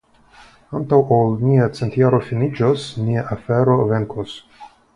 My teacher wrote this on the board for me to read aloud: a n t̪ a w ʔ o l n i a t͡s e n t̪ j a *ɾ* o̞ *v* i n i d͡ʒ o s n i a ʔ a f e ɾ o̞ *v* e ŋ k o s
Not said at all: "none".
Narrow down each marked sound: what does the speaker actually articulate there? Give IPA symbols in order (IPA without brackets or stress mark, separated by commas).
ɾ, f, v